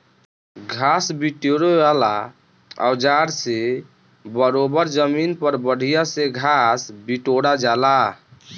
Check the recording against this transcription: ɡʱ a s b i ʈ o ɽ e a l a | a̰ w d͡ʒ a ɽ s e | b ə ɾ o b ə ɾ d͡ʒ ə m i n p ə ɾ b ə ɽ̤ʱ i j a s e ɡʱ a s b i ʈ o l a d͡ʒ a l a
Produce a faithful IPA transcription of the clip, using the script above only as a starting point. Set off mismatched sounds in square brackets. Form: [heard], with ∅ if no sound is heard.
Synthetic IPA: ɡʱ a s b i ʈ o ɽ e a l a | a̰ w d͡ʒ a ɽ s e | b ə ɾ o b ə ɾ d͡ʒ ə m i n p ə ɾ b ə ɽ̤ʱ i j a s e ɡʱ a s b i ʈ o [ɽ] a d͡ʒ a l a